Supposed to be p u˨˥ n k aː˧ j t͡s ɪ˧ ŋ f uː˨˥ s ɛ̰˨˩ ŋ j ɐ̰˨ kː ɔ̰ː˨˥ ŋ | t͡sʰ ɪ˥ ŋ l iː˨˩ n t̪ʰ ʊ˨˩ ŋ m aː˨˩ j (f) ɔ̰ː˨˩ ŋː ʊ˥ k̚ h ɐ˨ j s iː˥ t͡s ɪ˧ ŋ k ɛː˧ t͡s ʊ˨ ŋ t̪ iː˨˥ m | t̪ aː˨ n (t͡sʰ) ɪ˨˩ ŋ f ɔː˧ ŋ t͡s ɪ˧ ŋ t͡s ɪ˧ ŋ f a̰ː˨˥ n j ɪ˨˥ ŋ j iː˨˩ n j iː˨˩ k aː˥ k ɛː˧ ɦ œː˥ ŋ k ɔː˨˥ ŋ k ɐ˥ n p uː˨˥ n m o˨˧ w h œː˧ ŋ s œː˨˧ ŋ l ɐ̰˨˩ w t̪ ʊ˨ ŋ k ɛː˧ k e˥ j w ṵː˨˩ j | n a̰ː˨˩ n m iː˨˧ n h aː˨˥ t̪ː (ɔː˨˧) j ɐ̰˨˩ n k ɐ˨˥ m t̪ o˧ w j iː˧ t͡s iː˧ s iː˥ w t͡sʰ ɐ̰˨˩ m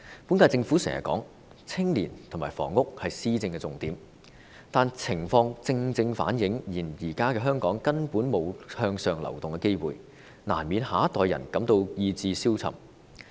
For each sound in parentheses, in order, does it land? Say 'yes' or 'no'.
yes, yes, yes

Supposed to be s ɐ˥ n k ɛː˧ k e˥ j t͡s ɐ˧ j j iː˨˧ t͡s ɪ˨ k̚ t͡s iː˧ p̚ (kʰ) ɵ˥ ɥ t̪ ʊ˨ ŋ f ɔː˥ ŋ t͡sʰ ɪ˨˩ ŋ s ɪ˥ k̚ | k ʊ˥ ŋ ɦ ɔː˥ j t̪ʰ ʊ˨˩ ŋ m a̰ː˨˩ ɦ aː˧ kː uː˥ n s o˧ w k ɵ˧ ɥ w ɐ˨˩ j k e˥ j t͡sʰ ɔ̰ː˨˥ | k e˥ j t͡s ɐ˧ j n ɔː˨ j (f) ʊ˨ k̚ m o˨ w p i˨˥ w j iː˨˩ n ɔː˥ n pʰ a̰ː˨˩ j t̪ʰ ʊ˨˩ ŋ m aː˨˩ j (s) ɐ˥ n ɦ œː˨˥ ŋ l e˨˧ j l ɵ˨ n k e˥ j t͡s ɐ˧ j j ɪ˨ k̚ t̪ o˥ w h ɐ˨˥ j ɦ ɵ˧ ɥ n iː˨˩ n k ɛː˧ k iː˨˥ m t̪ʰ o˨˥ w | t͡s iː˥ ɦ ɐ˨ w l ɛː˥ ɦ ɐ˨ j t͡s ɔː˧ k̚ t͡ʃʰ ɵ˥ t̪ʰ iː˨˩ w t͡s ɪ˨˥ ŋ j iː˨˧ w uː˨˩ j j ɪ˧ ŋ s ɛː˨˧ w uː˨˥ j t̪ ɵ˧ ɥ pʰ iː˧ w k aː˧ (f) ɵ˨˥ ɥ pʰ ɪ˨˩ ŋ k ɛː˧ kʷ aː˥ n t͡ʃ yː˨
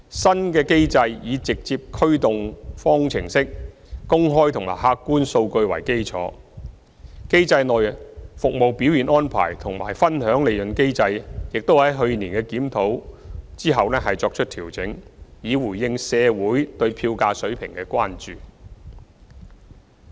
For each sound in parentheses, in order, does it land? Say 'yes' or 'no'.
yes, yes, no, no

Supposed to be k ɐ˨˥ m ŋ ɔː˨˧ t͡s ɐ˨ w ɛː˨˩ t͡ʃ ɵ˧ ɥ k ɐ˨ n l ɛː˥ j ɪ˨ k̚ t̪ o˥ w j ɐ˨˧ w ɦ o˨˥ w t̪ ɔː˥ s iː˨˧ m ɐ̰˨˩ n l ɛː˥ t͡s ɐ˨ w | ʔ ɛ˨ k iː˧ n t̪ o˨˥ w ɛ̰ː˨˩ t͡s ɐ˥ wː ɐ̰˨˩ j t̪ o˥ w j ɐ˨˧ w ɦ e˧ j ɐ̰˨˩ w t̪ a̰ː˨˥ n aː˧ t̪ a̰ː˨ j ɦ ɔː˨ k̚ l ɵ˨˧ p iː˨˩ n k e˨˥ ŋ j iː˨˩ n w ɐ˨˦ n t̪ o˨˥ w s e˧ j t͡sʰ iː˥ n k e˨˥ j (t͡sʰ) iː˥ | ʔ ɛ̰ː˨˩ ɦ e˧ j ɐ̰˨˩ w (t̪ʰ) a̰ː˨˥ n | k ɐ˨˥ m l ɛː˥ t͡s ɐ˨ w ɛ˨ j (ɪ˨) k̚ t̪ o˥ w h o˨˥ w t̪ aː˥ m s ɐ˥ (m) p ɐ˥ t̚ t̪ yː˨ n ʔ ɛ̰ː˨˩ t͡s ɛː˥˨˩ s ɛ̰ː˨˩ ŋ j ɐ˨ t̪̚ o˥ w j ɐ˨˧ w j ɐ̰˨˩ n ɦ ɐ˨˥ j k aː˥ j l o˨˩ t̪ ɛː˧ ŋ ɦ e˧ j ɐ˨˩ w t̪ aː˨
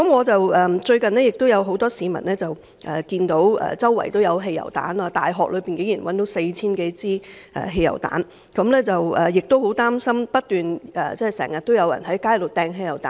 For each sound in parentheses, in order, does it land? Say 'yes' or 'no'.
no, no, yes, yes

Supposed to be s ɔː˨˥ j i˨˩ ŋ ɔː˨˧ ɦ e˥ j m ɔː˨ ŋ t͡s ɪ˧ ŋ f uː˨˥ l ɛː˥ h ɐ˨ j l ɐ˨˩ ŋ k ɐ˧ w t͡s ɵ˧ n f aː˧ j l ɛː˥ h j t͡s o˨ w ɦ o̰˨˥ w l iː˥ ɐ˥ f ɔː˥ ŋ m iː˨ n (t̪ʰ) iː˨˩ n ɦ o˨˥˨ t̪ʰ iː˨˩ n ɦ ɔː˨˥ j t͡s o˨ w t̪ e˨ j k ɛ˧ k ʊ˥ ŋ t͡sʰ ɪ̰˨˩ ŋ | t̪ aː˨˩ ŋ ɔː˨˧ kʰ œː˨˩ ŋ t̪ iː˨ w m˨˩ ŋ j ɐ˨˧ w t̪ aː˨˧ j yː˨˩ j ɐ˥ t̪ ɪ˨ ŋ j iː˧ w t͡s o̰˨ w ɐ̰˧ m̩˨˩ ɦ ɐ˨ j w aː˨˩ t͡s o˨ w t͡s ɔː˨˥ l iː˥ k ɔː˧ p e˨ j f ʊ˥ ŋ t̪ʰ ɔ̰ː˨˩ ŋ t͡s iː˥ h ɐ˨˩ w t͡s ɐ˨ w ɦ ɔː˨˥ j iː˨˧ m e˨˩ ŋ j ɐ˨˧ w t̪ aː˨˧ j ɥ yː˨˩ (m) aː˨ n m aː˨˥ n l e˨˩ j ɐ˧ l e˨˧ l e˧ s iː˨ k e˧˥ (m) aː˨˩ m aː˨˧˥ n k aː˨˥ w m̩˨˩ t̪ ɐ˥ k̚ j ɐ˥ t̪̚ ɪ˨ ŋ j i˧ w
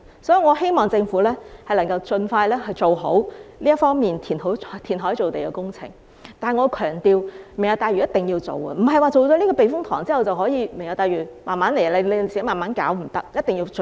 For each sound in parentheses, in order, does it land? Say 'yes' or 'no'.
yes, yes, yes

